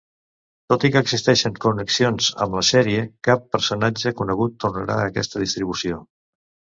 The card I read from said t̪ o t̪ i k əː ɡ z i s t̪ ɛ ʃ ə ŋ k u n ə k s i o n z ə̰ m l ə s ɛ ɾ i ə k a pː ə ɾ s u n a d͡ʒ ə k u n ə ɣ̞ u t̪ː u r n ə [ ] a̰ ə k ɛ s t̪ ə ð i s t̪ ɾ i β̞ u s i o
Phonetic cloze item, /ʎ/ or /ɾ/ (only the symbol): ɾ